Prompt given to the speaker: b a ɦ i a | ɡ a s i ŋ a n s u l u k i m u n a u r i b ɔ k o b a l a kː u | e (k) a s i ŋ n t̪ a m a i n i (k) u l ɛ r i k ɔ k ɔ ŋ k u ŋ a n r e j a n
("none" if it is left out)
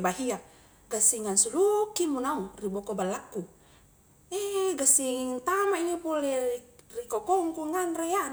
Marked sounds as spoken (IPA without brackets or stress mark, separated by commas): ɡ, p